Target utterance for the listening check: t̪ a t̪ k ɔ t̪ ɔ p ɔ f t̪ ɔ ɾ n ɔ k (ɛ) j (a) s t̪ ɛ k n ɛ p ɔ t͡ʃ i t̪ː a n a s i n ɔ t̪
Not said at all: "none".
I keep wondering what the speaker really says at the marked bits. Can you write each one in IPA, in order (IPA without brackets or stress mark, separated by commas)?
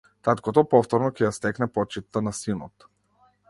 ɛ, a